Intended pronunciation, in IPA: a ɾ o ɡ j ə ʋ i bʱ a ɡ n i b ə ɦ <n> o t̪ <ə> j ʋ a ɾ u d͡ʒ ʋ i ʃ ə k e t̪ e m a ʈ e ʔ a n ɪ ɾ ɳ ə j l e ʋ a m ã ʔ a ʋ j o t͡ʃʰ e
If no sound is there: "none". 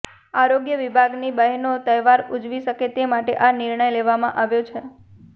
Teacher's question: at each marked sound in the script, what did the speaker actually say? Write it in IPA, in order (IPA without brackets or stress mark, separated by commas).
n, ə